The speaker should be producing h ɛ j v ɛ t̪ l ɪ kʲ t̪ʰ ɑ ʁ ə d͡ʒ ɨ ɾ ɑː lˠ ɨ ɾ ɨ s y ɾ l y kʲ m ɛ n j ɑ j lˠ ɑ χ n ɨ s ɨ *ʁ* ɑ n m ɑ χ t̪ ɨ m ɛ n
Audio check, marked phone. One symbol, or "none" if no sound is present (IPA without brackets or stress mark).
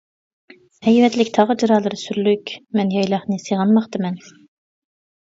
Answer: ʁ